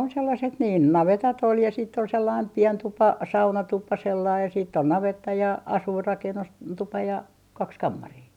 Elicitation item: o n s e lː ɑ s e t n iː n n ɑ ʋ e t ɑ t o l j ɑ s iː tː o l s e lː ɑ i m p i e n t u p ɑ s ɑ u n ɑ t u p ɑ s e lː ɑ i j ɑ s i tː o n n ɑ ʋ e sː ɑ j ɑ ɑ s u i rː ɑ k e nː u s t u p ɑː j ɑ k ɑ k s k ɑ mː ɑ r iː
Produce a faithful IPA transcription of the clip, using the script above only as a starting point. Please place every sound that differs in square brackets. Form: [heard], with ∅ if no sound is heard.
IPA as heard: o n s e lː ɑ s e t n iː n n ɑ ʋ e t ɑ t o l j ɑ s iː tː o l s e lː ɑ i m p i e n t u p ɑ s ɑ u n ɑ t u p ɑ s e lː ɑ i j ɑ s [iː] tː o n n ɑ ʋ e [tː] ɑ j ɑ ɑ s u i rː ɑ k e nː u s t u p [ɑ] j ɑ k ɑ k s k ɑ mː ɑ r iː

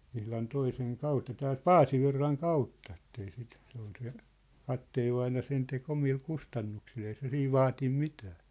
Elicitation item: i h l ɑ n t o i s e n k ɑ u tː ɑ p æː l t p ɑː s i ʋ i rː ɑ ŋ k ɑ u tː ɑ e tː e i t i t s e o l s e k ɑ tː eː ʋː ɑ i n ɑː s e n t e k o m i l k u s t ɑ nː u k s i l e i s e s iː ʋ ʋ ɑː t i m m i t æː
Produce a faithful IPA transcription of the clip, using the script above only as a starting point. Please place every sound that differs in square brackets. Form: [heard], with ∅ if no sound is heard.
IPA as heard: i h l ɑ n t o i s e [ŋ] k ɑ u tː ɑ [t] æː l t p ɑː s i ʋ i rː ɑ ŋ k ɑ u tː ɑ e tː e i [s] i t s e o l s e k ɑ tː eː ʋː ɑ i n [ɑ] s e n t e k o m i l k u s t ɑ nː u k s i l e i s e s iː ʋ ʋ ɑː t i m m i t æː

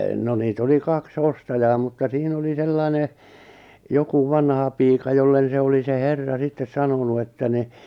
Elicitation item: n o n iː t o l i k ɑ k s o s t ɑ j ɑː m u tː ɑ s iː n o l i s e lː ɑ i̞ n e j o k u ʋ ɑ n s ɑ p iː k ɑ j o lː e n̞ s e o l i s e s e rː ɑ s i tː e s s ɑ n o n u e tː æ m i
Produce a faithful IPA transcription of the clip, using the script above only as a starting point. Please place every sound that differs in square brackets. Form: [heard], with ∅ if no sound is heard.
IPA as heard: n o n iː t o l i k ɑ k s o s t ɑ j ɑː m u tː ɑ s iː n o l i s e lː ɑ i̞ n e j o k u ʋ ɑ n [h] ɑ p iː k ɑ j o lː e n̞ s e o l i s e [h] e rː ɑ s i tː e s s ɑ n o n u e tː æ [n] i

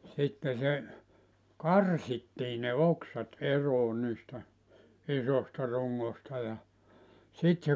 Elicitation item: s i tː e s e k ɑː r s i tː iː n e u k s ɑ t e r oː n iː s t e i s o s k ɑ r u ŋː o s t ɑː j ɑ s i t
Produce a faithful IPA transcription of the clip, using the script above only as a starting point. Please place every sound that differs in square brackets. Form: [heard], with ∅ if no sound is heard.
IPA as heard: s i tː e s e k [ɑ] r s i tː iː n e [o] k s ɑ t e r oː n iː s t [æ] i s o s [t] ɑ r u ŋː o s t [ɑ] j ɑ s i t

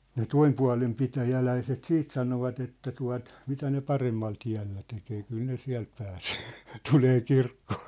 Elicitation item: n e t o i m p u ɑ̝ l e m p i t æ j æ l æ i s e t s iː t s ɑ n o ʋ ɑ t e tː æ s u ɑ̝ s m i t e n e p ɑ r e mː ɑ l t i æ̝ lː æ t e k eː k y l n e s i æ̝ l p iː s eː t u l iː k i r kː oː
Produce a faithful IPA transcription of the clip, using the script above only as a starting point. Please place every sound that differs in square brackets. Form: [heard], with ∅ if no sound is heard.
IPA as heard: n e t o i m p u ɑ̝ l e m p i t æ j æ l æ i s e t s iː t s ɑ n o ʋ ɑ t e tː æ [t] u ɑ̝ [t] m i t [æ] n e p ɑ r e mː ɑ l t i æ̝ lː æ t e k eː k y l n e s i æ̝ l p [æː] s eː t u l [eː] k i r kː oː

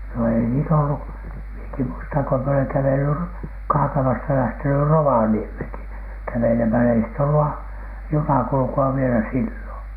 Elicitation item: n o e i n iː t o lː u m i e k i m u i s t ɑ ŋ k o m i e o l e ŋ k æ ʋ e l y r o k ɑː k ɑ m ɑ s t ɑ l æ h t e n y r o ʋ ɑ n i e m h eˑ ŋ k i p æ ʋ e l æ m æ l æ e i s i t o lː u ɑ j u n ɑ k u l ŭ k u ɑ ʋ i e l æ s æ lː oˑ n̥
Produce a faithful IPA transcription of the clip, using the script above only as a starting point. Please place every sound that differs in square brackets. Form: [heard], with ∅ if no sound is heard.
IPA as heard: n o e i n iː t o lː u m i e k i m u i s t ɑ ŋ k o m i e o l e ŋ k æ ʋ e l y r o k ɑː k ɑ m ɑ s t ɑ l æ h t e n y r o ʋ ɑ n i e m h eˑ ŋ k i [k] æ ʋ e l [e] m æ l æ e i s i t o lː u ɑ j u n ɑ k u l ŭ k u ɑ ʋ i e l æ s [i] lː oˑ n̥

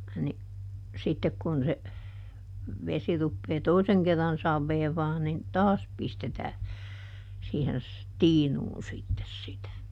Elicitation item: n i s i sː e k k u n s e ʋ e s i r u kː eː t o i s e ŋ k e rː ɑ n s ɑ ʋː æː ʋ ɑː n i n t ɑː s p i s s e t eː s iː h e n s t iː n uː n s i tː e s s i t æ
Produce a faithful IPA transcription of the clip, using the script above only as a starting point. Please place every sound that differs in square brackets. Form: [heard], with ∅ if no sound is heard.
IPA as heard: n i s i [tː] e k k u n s e ʋ e s i r u [pː] eː t o i s e ŋ k e rː ɑ n s ɑ ʋː [eː] ʋ ɑː n i n t ɑː s p i s [t] e t [æː] s iː h e n s t iː n uː n s i tː e s s i t æ

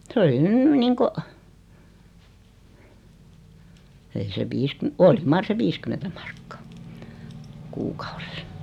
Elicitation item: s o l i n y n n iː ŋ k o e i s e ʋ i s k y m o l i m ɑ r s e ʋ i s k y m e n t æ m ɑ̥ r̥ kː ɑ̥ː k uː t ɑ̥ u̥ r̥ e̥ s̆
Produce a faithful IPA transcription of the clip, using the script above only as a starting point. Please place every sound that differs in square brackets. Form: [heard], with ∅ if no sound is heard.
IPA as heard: s o l i n y n n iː ŋ k o e i s e ʋ [iː] s k y m o l i m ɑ r s e ʋ i s k y m e n t æ m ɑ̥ r̥ kː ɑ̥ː k uː [k] ɑ̥ u̥ r̥ e̥ s̆

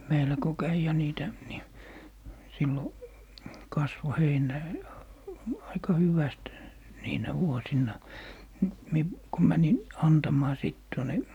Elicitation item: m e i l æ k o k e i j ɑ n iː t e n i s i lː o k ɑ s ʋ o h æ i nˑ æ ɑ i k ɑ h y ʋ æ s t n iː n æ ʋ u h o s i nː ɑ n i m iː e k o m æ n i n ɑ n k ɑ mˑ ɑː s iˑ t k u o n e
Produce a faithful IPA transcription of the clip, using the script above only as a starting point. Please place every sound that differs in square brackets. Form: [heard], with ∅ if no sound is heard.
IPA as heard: m e i l æ k o k [æ] i j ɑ n iː t [æ] n i s i lː o k ɑ s ʋ o h [e] i nˑ æ ɑ i k ɑ h y ʋ æ s t n iː n æ ʋ u [∅] o s i nː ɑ n i m [i] e k o m æ n i n ɑ n [t] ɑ mˑ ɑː s iˑ t [t] u o n e

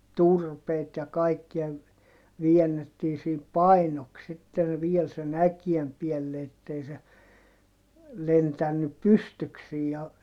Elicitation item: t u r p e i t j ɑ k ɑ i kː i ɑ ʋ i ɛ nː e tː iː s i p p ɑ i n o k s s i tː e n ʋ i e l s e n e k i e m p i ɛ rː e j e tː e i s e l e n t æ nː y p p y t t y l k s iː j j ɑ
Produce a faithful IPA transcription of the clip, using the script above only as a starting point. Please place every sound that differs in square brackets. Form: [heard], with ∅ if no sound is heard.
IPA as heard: t u r p e i t j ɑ k ɑ i kː i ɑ ʋ i ɛ nː e tː iː s [iː] p p ɑ i n o k s s i tː e n ʋ i e l s e n [æ] k i e m p i ɛ [lː] e [∅] e tː e i s e l e n t æ nː y p p y [s] t y [∅] k s iː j j ɑ

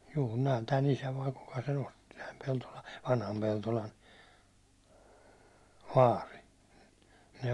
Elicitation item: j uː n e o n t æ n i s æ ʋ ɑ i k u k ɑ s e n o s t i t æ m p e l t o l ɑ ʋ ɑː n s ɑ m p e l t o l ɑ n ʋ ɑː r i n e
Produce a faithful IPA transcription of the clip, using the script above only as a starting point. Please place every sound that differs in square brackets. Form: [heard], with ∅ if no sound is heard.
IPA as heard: j uː n e o n t æ n i s æ ʋ ɑ i k u k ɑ s e n o s t i t æ m p e l t o l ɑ ʋ [ɑ] n [h] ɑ m p e l t o l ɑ n ʋ ɑː r i n e

